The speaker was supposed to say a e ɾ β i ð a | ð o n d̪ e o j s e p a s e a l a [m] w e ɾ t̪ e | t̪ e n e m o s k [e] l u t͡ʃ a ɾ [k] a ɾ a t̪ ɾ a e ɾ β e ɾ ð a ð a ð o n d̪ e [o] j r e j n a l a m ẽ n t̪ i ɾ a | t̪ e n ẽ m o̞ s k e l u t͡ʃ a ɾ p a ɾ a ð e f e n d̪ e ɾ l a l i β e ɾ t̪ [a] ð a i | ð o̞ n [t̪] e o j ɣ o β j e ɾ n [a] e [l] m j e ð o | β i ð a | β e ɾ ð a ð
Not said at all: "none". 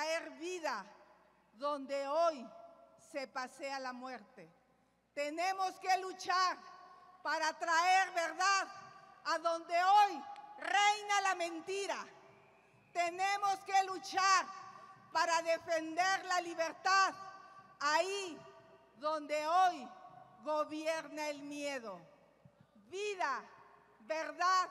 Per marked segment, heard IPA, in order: m, e, p, o, a, d̪, a, l

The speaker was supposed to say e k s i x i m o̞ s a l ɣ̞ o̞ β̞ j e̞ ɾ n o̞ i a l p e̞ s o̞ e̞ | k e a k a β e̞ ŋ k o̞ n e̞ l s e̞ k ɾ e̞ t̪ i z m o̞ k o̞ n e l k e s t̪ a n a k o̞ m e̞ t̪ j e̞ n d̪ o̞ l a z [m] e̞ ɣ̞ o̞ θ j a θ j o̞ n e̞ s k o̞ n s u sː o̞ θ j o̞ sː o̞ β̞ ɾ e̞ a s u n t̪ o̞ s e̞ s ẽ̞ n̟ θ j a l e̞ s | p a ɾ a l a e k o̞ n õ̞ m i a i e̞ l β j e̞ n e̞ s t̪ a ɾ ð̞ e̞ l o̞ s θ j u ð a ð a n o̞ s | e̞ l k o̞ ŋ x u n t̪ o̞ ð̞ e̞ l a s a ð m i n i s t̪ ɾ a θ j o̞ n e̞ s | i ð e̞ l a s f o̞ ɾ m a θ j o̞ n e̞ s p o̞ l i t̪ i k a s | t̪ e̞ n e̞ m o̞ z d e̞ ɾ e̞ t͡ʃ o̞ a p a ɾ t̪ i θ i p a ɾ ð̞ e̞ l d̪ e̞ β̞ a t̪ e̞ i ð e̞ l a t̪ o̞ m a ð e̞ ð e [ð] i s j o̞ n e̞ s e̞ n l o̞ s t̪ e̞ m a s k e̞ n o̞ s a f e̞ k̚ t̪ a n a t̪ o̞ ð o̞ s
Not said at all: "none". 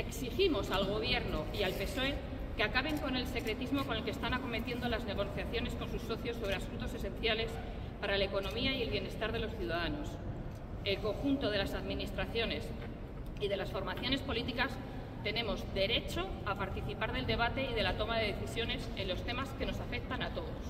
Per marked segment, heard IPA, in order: n, θ

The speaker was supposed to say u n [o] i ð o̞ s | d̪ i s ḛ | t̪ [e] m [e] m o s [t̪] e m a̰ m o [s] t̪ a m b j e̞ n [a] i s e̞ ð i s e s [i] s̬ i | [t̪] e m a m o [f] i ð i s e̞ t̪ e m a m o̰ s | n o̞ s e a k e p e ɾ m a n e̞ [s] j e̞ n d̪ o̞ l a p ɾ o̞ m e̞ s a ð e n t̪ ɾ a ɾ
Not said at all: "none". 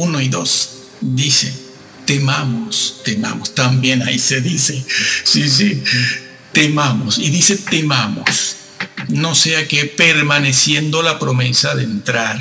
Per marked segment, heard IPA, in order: o, e, a, t̪, s, a, i, t̪, s, s

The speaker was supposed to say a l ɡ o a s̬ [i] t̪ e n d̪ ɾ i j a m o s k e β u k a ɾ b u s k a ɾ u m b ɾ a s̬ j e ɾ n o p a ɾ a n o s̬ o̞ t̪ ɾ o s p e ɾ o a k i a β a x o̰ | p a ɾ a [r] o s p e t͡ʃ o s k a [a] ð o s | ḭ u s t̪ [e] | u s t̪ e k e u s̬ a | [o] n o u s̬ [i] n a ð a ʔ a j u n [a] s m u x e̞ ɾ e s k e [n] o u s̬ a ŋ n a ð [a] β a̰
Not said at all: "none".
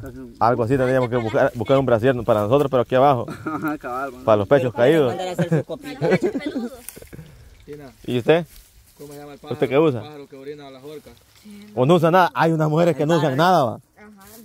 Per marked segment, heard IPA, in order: i, l, i, e, o, a, a, n, a

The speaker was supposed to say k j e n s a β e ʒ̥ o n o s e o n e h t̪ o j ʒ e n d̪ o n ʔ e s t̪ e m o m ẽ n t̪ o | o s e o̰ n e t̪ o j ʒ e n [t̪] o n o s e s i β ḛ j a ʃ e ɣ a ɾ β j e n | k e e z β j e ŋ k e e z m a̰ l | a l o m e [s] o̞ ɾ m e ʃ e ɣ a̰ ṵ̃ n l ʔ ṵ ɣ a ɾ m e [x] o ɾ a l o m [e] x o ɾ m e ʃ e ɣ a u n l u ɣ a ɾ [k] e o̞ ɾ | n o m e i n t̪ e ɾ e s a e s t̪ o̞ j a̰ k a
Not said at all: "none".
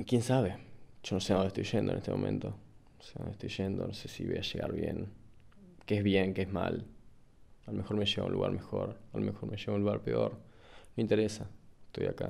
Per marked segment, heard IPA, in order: d̪, x, x, e, p

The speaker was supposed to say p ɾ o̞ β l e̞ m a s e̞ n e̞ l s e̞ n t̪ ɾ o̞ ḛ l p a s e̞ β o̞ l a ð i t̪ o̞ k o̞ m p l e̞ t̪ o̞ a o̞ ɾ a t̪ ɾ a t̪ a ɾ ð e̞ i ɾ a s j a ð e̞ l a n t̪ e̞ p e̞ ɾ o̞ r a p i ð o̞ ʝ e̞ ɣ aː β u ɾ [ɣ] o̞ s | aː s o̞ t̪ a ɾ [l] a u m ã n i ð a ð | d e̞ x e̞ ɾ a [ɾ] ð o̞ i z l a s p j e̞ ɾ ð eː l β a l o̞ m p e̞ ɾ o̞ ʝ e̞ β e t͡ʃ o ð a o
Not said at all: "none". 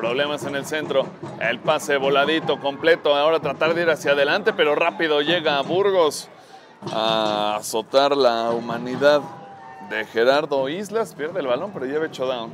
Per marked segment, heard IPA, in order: ɣ, l, ɾ

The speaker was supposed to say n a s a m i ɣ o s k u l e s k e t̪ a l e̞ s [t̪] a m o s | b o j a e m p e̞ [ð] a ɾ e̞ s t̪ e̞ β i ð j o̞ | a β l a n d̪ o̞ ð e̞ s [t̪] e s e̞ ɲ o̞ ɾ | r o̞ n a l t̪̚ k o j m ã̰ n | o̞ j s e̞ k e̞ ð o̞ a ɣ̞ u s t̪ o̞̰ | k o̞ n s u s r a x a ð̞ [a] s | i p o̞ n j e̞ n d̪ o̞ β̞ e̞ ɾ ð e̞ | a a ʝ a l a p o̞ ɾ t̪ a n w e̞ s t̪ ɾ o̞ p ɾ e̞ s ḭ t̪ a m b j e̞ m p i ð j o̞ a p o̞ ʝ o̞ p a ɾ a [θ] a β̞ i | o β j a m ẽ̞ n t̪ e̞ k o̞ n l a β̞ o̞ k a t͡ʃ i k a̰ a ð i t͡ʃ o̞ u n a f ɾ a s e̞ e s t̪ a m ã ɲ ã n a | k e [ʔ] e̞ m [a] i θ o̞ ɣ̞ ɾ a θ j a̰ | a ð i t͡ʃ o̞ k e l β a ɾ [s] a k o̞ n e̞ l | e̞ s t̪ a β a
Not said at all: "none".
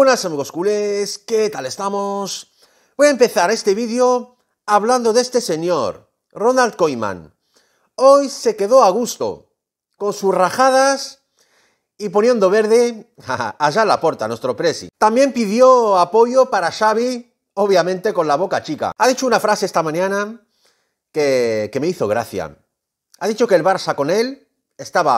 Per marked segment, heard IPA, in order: t̪, θ, t̪, a, ʃ, k, e, s

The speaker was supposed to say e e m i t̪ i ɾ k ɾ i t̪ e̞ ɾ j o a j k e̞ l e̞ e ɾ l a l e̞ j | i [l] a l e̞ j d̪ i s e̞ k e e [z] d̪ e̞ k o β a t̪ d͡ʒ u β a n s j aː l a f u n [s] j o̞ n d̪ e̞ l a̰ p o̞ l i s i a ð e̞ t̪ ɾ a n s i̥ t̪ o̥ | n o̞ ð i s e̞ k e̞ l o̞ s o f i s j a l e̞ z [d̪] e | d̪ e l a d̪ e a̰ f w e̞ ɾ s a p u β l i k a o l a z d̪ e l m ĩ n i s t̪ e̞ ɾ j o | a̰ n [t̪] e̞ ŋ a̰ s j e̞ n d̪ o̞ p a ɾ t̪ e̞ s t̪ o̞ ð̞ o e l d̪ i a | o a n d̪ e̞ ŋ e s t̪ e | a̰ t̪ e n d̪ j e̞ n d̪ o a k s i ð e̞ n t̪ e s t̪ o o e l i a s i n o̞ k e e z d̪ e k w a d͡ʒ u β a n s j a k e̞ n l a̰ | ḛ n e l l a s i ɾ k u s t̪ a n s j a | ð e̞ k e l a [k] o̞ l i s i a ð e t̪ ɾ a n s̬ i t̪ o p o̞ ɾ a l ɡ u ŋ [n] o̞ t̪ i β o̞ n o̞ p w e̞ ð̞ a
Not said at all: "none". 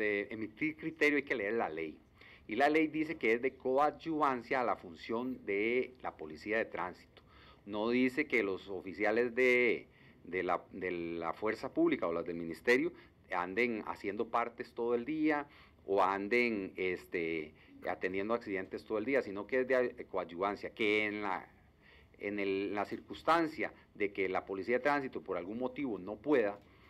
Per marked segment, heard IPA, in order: l, z, s, d̪, d̪, p, m

